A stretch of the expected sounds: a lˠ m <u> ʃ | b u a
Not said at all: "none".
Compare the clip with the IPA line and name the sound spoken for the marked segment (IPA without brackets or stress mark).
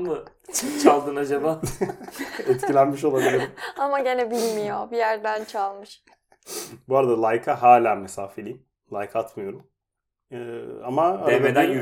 ɯ